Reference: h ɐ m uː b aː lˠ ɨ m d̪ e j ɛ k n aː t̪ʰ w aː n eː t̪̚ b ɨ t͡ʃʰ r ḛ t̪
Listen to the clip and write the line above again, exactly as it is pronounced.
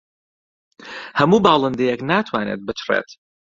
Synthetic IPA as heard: h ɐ m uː b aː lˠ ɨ n d̪ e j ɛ k n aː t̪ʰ w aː n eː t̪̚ b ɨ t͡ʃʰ r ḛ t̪